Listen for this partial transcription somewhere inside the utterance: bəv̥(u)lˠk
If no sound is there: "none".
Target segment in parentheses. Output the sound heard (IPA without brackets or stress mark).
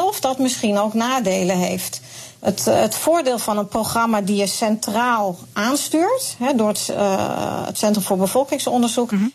ɔ